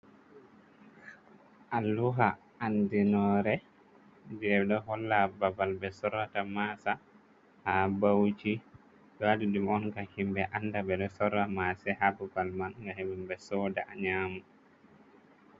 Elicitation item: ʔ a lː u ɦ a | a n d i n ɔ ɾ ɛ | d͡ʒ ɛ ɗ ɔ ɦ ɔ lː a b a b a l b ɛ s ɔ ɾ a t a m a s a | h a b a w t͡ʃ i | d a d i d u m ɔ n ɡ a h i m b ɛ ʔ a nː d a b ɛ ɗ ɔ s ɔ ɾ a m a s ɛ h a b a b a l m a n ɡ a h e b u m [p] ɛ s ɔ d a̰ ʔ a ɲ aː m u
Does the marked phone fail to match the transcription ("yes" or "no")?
yes